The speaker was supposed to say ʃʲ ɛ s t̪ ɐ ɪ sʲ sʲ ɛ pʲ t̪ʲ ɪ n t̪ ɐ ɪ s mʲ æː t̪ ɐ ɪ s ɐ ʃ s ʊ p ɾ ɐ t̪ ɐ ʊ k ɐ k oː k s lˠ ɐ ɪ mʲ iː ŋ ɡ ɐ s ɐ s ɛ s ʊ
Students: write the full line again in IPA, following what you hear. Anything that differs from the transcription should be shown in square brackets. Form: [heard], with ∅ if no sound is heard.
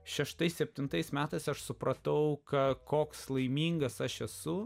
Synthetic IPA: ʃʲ ɛ [ʃ] t̪ ɐ ɪ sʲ sʲ ɛ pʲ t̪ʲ ɪ n t̪ ɐ ɪ s mʲ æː t̪ ɐ ɪ s ɐ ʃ s ʊ p ɾ ɐ t̪ ɐ ʊ k ɐ k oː k s lˠ ɐ ɪ mʲ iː ŋ ɡ ɐ s ɐ [ʃ] ɛ s ʊ